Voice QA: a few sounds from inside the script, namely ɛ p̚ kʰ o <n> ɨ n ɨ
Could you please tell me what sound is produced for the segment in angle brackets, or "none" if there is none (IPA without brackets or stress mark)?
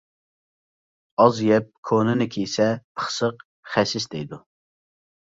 n